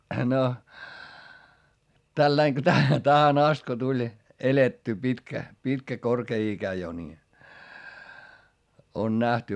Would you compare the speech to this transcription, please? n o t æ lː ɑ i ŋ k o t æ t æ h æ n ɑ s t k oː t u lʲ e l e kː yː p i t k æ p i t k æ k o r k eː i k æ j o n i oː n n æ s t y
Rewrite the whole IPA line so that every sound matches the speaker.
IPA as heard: n o t æ lː ɑ i ŋ k o t æ t æ h æ n ɑ s t k o t u lʲ e l e tː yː p i t k æ p i t k æ k o r k eː i k æ j o n i o n n æ h t y